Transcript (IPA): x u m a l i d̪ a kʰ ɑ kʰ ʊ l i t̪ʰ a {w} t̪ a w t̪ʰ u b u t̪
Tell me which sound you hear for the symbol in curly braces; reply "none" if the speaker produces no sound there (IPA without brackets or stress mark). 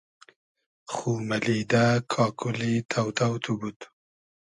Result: w